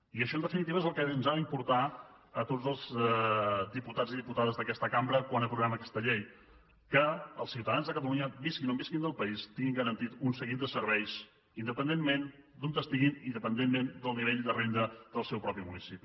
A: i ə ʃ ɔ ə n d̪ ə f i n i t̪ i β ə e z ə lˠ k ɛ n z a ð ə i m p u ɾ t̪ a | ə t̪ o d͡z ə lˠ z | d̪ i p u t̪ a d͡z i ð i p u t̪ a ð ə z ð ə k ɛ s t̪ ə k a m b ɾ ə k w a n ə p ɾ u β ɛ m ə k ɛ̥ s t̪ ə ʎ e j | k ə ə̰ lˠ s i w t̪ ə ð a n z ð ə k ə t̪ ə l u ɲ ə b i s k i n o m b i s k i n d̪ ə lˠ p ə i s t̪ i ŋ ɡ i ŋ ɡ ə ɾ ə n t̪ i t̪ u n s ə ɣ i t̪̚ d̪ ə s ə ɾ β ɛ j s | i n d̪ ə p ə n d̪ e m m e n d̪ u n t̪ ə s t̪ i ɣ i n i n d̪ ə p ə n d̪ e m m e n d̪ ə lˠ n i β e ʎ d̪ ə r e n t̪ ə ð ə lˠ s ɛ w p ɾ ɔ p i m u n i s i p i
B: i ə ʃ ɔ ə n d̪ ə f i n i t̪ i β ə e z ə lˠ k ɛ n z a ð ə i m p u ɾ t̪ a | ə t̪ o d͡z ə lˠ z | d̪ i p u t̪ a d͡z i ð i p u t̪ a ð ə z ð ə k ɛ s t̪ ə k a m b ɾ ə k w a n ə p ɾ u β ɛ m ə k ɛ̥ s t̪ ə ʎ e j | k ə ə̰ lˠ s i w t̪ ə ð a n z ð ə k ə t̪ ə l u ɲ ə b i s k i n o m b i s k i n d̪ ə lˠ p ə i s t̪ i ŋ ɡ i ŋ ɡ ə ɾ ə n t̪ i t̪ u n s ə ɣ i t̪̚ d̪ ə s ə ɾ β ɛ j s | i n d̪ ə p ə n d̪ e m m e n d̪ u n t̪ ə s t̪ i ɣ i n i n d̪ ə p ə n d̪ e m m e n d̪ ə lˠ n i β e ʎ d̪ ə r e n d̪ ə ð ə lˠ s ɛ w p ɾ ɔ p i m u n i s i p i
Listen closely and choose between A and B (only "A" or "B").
B